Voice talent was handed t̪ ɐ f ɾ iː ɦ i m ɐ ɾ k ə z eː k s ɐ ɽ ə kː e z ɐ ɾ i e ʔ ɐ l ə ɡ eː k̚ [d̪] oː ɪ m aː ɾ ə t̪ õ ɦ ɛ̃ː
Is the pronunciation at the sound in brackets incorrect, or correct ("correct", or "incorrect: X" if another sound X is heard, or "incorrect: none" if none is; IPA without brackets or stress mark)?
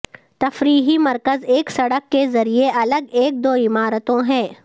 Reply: correct